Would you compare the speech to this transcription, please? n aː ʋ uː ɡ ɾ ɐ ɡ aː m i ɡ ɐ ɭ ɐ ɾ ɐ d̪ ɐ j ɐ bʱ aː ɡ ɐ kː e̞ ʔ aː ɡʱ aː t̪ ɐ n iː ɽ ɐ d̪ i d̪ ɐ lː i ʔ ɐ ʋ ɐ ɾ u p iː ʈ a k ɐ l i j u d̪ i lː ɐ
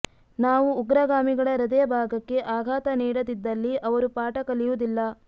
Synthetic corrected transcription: n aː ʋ uː ɡ ɾ ɐ ɡ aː m i ɡ ɐ ɭ ɐ ɾ ɐ d̪ ɐ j ɐ bʱ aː ɡ ɐ kː e̞ ʔ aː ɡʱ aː t̪ ɐ n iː ɽ ɐ d̪ i d̪ː ɐ lː i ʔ ɐ ʋ ɐ ɾ u p aː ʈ ɐ k ɐ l i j u d̪ i lː ɐ